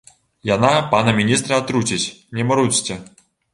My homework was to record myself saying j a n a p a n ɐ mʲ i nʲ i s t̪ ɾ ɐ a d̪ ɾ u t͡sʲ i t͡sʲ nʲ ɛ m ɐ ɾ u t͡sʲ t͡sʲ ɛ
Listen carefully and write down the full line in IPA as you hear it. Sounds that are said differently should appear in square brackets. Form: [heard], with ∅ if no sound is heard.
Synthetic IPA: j a n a p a n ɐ mʲ i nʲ i s t̪ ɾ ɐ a [t̪] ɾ u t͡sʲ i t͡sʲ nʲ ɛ m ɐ ɾ u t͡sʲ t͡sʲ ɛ